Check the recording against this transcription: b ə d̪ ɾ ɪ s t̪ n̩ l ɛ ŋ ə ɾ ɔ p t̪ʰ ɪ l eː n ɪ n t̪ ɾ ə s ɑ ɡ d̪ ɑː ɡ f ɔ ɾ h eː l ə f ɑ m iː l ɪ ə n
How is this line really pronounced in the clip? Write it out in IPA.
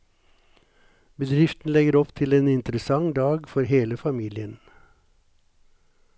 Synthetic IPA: b ə d̪ ɾ ɪ f t̪ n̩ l ɛ ɡ ə ɾ ɔ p t̪ʰ ɪ l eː n ɪ n t̪ ɾ ə s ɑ ŋ d̪ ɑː ɡ f ɔ ɾ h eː l ə f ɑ m iː l ɪ ə n